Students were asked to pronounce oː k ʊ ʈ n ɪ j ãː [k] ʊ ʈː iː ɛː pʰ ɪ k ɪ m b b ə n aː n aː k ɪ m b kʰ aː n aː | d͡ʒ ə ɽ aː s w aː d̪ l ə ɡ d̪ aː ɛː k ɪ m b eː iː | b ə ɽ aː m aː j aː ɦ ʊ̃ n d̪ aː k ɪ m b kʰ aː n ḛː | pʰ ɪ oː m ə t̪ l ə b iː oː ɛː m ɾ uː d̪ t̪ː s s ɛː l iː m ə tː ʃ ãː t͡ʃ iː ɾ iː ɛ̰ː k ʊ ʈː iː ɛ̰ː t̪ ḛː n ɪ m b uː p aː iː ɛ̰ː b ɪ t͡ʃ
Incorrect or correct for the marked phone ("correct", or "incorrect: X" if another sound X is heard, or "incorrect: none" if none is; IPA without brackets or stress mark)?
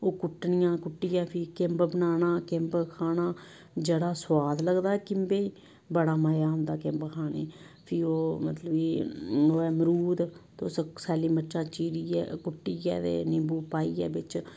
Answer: correct